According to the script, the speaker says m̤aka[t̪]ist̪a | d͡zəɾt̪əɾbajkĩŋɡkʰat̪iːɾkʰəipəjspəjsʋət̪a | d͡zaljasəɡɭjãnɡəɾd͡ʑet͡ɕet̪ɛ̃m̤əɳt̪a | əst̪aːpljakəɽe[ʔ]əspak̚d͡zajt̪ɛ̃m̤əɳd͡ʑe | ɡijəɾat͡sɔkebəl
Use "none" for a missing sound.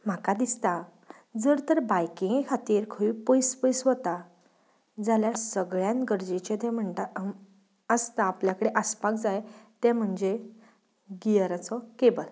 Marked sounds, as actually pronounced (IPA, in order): d̪, ʔ

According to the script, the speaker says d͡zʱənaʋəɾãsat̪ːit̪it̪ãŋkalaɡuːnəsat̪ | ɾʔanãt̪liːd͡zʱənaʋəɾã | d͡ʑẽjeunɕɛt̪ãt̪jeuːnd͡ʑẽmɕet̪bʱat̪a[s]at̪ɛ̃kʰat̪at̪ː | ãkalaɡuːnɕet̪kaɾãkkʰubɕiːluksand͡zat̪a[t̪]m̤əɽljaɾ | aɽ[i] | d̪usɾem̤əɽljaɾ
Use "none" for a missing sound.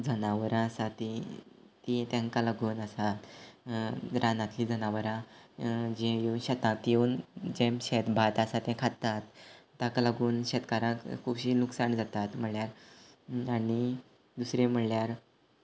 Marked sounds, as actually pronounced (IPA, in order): s, t̪, i

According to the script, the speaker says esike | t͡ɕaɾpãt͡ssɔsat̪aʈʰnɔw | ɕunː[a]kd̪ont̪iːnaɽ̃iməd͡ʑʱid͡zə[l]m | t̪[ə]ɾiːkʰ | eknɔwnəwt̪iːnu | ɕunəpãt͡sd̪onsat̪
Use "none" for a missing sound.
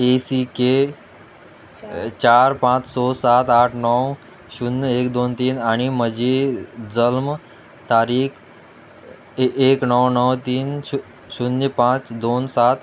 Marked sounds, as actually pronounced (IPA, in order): e, l, a

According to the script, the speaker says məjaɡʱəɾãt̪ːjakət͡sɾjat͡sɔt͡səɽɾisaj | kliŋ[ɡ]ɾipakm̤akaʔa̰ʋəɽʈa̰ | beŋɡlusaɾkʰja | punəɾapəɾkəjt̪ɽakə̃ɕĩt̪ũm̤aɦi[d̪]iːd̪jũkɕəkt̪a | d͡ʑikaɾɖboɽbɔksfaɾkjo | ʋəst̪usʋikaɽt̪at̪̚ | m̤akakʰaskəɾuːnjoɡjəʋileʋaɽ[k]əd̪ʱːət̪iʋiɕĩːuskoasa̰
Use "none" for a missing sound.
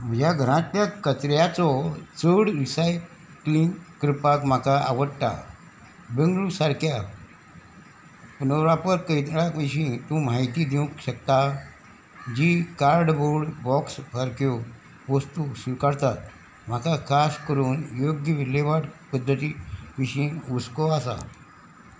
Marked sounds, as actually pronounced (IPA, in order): k, t̪, p

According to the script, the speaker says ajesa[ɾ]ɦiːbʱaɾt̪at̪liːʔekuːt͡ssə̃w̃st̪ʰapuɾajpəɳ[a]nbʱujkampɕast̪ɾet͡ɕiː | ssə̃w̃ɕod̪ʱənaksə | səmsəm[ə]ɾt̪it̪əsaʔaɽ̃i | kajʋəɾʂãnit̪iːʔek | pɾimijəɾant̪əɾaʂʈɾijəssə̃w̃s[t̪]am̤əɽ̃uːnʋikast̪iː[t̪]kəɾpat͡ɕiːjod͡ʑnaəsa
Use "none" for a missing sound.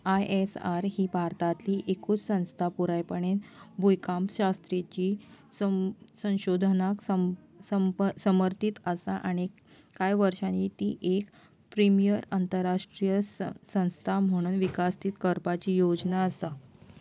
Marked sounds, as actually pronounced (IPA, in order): ɾ, e, ə, t̪ʰ, t̪

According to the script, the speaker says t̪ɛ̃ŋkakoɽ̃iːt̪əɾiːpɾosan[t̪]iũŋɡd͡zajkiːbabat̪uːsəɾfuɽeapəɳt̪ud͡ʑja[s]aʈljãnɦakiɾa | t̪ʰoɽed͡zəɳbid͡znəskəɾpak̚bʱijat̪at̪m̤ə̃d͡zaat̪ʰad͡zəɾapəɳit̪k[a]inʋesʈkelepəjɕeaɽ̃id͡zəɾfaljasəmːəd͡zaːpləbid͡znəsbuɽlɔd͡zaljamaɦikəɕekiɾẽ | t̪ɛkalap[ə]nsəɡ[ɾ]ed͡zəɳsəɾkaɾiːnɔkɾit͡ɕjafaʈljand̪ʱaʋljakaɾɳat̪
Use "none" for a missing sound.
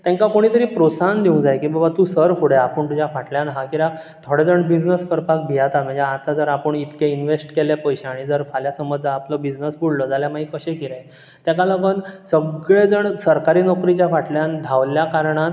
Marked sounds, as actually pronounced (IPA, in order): d̪, f, e, ə, ɭ

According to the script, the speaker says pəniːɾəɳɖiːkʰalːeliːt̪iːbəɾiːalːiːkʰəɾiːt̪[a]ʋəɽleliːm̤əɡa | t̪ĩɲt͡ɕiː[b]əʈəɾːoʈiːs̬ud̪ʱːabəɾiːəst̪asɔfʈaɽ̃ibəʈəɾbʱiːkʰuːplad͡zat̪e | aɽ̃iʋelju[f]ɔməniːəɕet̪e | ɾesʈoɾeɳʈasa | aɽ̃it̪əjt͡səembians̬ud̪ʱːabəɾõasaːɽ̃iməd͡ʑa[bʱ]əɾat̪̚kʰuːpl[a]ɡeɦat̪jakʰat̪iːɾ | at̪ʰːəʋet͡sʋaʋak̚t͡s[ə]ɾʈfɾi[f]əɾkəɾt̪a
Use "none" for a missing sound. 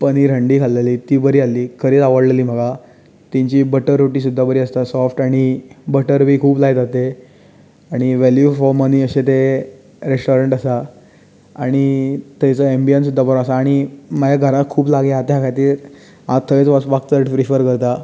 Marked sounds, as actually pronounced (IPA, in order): a, b, f, ɡʱ, a, ə, f

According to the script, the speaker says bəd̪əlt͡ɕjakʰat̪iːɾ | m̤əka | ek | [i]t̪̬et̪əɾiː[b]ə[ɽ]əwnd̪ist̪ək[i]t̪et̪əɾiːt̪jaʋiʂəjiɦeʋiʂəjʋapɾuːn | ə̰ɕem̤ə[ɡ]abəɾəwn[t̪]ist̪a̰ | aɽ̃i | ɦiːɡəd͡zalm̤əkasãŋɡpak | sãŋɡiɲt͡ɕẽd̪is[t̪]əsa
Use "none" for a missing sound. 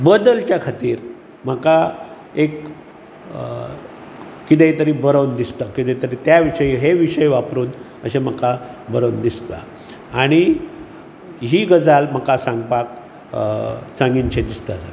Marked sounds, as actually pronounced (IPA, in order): i, b, ɾ, i, k, d̪, t̪

